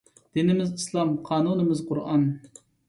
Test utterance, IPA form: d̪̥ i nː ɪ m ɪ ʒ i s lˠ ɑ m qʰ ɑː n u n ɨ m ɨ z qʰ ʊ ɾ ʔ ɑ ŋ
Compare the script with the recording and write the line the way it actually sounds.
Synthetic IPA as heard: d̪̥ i n ɪ m ɪ z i s lˠ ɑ m qʰ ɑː n u n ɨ m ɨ z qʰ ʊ ɾ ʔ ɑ n

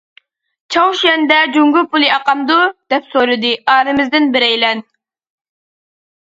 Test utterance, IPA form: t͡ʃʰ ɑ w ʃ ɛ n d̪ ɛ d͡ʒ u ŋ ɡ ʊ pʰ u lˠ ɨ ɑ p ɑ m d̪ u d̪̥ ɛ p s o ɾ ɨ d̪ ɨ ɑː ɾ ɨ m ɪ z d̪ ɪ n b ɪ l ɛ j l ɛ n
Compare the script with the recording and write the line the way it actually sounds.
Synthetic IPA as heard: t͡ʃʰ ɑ w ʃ ɛ n d̪ ɛ d͡ʒ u ŋ ɡ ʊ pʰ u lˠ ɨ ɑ q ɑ m d̪ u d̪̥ ɛ p s o ɾ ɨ d̪ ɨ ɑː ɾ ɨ m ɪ z d̪ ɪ n b ɪ ɾ ɛ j l ɛ n

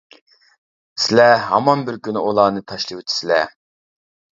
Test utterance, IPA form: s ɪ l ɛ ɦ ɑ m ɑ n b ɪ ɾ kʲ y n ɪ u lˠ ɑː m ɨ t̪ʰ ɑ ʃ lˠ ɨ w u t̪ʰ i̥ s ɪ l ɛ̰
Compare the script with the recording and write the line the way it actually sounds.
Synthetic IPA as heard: s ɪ l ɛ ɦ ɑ m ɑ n b ɪ ɾ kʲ y n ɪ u lˠ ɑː n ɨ t̪ʰ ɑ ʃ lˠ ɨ w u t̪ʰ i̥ s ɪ l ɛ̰

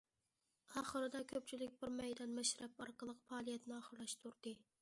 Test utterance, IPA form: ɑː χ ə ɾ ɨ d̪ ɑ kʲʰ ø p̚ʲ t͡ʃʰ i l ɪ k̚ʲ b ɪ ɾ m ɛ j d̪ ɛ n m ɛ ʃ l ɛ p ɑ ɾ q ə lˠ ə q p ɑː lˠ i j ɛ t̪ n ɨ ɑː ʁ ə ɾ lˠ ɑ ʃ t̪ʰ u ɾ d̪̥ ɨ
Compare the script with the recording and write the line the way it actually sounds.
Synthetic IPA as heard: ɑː χ ə ɾ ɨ d̪ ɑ kʲʰ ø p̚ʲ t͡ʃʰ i l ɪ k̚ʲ b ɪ ɾ m ɛ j d̪ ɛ n m ɛ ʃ ɾ ɛ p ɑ ɾ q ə lˠ ə q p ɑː lˠ i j ɛ t̪ n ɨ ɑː χ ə ɾ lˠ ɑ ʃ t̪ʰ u ɾ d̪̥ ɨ

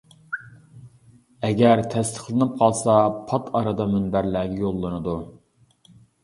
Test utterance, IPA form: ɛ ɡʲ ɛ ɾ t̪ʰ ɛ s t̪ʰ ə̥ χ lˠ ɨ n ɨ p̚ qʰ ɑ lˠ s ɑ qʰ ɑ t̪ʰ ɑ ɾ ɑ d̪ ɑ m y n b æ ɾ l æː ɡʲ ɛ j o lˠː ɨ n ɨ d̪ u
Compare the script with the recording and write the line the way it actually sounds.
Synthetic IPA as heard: ɛ ɡʲ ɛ ɾ t̪ʰ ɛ s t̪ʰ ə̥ χ lˠ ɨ n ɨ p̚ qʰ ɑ lˠ s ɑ pʰ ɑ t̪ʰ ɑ ɾ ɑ d̪ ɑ m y n b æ ɾ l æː ɡʲ ɛ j o lˠː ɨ n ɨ d̪ u

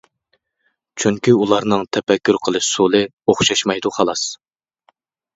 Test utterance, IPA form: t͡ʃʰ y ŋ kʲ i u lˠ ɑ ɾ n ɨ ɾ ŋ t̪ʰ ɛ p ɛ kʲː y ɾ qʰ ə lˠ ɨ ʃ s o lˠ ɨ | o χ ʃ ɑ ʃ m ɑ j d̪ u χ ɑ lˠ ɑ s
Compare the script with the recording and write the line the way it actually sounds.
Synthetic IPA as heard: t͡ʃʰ y ŋ kʲ i u lˠ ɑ ɾ n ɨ ŋ t̪ʰ ɛ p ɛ kʲː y ɾ qʰ ə lˠ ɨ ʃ s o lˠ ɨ | o χ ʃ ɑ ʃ m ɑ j d̪ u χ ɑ lˠ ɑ s

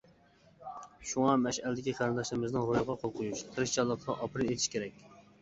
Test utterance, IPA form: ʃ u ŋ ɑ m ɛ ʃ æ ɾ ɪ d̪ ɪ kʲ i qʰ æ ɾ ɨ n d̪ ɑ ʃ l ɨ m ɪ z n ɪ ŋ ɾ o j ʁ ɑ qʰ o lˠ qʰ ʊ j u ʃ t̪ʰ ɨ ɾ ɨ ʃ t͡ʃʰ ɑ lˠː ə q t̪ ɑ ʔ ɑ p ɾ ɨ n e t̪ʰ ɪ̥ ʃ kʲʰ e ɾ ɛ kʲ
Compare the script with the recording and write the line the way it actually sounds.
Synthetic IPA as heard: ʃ u ŋ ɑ m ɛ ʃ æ l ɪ d̪ ɪ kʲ i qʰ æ ɾ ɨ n d̪ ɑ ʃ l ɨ m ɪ z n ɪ ŋ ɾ o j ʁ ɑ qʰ o lˠ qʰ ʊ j u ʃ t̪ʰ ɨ ɾ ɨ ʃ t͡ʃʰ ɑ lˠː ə q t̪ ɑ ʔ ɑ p ɾ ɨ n e t̪ʰ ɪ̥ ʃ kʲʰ e ɾ ɛ kʲ

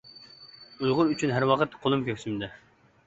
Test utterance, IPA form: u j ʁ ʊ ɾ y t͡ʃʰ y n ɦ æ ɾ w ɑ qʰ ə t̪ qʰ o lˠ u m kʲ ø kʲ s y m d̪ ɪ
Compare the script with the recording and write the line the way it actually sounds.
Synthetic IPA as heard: u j ʁ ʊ ɾ y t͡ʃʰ y n ɦ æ ɾ w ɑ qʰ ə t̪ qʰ o lˠ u m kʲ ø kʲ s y m d̪ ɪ

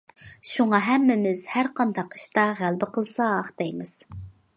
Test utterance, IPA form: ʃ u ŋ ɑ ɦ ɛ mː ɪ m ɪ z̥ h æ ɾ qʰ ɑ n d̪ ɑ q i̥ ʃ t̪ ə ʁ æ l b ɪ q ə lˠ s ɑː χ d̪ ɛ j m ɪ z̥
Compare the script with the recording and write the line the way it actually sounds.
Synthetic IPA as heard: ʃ u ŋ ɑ ɦ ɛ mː ɪ m ɪ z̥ h æ ɾ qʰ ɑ n d̪ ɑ q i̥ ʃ t̪ ɑ ʁ æ l b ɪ q ə lˠ s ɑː χ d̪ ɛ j m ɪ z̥

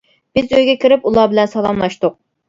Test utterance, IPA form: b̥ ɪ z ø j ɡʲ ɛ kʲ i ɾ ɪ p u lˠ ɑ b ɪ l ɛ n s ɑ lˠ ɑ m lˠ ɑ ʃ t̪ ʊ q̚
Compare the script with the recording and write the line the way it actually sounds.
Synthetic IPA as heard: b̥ ɪ z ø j ɡʲ ɛ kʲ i ɾ ɪ p u lˠ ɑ b ɪ l ɛ n s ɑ lˠ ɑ m lˠ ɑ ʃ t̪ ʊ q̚

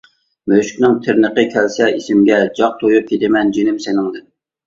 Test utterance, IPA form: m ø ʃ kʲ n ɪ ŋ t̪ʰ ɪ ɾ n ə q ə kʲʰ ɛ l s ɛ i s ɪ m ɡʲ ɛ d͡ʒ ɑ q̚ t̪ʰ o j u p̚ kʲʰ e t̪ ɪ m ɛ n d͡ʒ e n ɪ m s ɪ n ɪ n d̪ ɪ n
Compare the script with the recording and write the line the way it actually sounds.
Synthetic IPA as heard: m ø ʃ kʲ n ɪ ŋ t̪ʰ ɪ ɾ n ə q ə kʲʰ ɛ l s ɛ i s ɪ m ɡʲ ɛ d͡ʒ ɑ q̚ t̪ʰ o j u p̚ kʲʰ e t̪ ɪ m ɛ n d͡ʒ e n ɪ m s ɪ n ɪ ŋ d̪ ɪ n

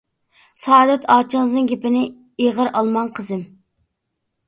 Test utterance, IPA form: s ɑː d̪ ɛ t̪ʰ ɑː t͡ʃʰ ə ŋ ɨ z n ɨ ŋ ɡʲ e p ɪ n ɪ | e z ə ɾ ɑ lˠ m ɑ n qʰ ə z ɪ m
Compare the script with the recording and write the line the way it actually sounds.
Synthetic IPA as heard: s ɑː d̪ ɛ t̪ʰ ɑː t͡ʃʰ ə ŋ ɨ z n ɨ ŋ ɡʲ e p ɪ n ɪ | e ʁ ə ɾ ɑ lˠ m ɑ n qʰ ə z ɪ m

